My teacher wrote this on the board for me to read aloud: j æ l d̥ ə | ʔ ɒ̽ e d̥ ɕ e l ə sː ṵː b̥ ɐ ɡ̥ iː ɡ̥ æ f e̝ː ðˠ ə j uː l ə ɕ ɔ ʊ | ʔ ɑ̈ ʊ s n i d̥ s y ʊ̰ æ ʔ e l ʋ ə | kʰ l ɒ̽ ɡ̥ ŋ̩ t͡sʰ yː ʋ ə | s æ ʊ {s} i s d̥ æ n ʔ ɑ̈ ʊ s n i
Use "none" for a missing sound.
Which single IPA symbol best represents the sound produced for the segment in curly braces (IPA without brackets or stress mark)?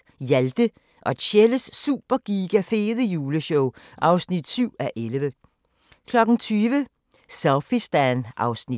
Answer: f